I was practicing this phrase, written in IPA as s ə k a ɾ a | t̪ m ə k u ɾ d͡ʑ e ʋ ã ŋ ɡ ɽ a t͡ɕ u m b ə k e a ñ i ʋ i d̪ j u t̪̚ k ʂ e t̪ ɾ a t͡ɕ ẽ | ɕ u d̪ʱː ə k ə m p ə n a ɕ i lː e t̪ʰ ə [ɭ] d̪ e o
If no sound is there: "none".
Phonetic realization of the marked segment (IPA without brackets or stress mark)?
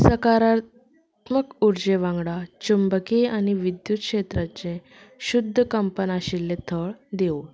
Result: ɭ